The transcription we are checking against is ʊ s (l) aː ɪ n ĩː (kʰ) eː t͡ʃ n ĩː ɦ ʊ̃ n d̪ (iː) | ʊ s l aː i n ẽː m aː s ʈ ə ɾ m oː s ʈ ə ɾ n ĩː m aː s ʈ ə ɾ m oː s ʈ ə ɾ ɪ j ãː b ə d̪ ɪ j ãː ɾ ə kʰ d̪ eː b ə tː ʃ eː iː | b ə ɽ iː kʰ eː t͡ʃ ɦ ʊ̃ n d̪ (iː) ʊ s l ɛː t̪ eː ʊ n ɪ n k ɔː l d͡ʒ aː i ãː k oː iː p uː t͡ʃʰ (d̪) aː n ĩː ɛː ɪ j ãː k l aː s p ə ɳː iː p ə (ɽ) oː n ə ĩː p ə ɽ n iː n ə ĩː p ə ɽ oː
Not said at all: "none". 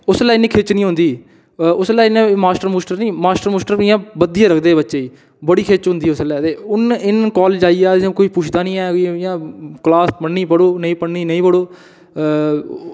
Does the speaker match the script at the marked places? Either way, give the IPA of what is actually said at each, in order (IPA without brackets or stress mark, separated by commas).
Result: l, kʰ, iː, iː, d̪, ɽ